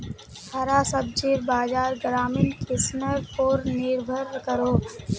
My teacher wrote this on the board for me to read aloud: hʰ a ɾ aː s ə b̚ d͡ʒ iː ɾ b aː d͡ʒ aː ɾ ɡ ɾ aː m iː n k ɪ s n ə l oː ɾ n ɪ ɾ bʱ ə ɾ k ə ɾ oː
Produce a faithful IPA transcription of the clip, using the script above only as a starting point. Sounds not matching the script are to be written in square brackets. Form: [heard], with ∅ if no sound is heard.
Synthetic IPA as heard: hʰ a ɾ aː s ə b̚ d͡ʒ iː ɾ b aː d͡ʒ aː ɾ ɡ ɾ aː m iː n k ɪ s n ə [ɾ] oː ɾ n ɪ ɾ bʱ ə ɾ k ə ɾ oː